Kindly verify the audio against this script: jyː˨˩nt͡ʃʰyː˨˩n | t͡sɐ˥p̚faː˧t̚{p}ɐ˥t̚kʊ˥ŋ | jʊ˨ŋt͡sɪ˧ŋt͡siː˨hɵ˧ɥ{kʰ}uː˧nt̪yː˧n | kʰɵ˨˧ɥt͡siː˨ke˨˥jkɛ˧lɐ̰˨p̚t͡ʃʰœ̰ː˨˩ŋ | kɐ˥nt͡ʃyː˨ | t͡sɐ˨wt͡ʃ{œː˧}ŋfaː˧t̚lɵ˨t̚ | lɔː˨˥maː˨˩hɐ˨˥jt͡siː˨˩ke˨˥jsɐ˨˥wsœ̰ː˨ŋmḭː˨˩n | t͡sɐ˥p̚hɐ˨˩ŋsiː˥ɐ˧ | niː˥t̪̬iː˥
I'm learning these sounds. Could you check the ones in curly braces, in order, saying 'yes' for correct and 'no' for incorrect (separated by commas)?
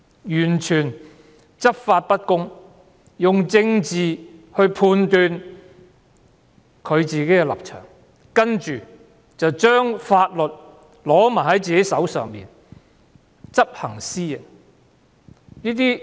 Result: yes, no, no